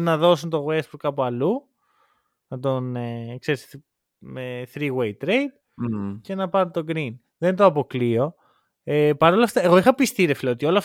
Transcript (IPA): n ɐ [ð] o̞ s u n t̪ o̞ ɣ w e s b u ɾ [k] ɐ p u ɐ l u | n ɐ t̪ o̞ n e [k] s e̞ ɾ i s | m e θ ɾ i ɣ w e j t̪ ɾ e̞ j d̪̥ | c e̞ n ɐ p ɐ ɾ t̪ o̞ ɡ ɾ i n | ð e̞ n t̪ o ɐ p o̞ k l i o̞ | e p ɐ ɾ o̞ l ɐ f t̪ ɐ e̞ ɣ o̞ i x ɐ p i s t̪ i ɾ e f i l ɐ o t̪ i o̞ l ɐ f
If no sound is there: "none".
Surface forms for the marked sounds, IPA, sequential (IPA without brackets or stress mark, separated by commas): ð, k, k